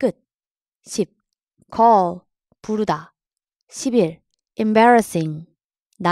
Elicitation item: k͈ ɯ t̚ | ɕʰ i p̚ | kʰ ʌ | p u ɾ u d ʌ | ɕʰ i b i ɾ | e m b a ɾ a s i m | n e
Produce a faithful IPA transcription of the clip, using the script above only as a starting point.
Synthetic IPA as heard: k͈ ɯ t̚ | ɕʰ i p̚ | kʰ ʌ | p u ɾ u d a | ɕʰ i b i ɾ | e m b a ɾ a s i ŋ | n a